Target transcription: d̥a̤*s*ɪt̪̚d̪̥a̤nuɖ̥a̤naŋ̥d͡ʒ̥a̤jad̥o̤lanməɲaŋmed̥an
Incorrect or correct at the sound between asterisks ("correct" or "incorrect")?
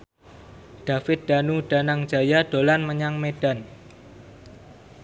incorrect